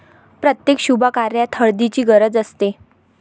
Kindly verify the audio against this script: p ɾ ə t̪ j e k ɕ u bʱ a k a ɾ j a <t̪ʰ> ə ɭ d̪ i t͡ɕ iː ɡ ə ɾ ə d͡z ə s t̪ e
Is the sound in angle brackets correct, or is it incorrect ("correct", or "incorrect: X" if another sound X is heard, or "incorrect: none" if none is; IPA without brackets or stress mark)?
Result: correct